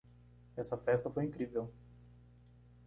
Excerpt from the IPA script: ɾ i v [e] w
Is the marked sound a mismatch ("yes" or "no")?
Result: no